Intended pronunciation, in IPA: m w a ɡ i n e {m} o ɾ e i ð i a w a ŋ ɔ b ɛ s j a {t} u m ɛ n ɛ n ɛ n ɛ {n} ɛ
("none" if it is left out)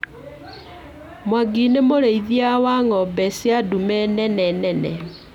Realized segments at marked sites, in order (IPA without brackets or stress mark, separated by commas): m, d, n